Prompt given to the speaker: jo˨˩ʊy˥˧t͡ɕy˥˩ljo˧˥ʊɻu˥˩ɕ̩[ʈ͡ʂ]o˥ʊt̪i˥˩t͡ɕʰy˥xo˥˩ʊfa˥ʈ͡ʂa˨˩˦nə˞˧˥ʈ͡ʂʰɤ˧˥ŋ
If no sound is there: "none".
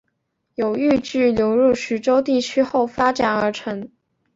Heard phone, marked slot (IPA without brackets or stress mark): ʈ͡ʂ